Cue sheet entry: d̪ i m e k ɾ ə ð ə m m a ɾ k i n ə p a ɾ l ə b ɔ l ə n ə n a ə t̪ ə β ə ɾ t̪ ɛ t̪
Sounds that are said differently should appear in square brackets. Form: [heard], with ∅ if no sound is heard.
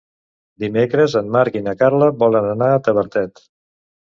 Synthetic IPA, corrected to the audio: d̪ i m e k ɾ ə [z] ə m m a ɾ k i n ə [k] a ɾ l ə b ɔ l ə n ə n a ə t̪ ə β ə ɾ t̪ ɛ t̪